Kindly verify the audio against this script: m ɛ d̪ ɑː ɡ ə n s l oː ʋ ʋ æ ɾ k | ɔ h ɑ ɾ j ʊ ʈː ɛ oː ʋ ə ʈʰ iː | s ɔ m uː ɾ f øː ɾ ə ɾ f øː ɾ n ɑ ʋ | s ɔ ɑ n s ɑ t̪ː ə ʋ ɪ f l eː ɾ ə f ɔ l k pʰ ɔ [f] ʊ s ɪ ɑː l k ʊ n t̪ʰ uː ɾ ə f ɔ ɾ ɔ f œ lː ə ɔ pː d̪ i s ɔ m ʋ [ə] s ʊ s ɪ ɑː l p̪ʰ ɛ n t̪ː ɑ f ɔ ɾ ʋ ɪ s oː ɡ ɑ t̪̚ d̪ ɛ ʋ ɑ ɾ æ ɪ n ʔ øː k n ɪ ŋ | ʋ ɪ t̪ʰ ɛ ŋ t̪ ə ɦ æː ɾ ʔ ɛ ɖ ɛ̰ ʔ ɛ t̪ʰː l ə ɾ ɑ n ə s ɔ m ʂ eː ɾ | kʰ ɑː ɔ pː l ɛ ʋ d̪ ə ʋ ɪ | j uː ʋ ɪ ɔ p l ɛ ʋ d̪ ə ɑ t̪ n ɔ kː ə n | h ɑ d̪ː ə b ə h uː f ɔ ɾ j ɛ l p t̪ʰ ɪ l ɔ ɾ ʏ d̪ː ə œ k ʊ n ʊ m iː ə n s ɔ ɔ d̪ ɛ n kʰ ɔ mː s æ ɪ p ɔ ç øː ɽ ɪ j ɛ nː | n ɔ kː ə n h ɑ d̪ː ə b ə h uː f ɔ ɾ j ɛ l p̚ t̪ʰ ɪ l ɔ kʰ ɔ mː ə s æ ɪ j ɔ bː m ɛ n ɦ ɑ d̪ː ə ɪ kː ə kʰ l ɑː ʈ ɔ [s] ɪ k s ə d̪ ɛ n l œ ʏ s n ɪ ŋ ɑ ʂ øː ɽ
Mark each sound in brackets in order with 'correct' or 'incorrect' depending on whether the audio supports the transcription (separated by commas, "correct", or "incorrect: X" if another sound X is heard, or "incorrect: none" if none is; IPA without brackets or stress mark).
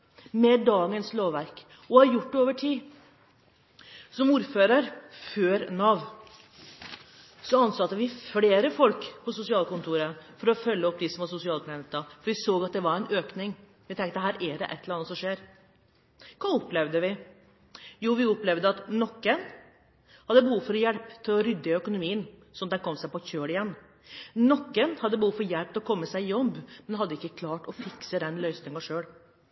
incorrect: s, incorrect: ɑ, incorrect: f